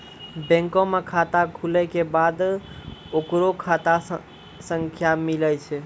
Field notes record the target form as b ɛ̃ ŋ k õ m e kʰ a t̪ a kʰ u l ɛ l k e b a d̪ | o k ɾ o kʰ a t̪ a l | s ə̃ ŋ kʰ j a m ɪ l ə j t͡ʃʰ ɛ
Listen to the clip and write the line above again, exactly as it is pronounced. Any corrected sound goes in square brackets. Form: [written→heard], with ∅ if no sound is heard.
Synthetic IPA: b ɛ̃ ŋ k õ m e kʰ a t̪ a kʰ u l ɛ [l→∅] k e b a d̪ | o k ɾ o kʰ a t̪ a [l→∅] | s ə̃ ŋ kʰ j a m [ɪ→i] l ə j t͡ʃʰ ɛ